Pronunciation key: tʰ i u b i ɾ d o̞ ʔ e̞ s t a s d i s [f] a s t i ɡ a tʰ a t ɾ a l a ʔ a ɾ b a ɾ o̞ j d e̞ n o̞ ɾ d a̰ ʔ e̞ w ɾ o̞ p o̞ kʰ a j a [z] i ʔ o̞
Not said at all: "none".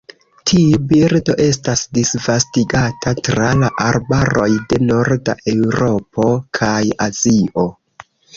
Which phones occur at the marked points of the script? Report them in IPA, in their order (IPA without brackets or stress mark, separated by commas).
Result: v, z